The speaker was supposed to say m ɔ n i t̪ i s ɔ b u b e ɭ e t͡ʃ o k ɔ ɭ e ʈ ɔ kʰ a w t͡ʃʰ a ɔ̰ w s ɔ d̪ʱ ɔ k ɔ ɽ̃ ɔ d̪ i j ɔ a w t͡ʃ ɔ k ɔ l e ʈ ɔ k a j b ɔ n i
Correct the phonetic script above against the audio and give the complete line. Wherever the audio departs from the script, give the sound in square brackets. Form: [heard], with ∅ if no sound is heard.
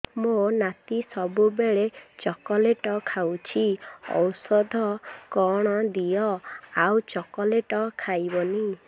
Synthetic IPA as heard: m [o] n [a] t̪ i s ɔ b u b e ɭ e t͡ʃ [ɔ] k ɔ [l] e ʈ ɔ kʰ a w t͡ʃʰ [i] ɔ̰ w s ɔ d̪ʱ ɔ k ɔ ɽ̃ ɔ d̪ i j ɔ a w t͡ʃ ɔ k ɔ l e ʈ ɔ [kʰ] a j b ɔ n i